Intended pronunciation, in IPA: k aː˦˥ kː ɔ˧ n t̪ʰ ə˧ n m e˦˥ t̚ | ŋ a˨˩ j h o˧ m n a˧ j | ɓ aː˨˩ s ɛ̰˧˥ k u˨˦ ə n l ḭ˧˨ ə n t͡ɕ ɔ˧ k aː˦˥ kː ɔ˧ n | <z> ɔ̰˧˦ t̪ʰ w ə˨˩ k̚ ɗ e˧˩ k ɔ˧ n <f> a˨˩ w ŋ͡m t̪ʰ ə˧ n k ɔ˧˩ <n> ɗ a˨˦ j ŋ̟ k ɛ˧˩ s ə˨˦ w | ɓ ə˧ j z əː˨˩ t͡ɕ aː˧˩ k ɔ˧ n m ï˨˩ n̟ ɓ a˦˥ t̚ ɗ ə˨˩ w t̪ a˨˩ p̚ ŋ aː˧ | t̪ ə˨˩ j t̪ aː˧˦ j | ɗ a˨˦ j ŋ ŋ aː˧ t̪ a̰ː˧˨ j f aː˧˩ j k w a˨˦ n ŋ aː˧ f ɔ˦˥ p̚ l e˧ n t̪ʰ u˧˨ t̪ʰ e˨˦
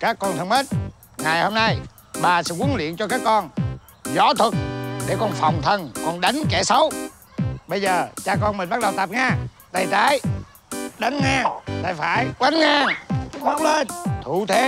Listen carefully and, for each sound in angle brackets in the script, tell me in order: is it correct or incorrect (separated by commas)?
correct, correct, correct